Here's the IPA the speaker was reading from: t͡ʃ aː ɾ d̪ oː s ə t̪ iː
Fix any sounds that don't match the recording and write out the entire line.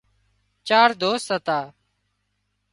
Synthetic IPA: t͡ʃ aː ɾ d̪ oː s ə t̪ aː